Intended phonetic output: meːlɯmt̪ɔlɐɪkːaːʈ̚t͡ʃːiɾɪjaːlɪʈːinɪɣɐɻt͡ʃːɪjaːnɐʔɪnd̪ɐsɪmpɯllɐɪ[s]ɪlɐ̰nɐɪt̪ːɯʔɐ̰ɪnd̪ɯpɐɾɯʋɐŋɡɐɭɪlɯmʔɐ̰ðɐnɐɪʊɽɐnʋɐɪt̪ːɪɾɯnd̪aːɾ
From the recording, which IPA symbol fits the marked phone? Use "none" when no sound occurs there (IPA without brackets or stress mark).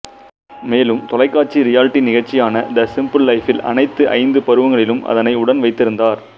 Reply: f